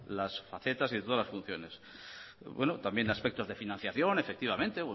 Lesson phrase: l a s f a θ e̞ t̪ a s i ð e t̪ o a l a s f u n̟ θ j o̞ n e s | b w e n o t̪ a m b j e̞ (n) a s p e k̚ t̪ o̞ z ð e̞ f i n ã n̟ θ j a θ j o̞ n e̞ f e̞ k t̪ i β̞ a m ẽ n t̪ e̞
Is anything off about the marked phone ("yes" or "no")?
no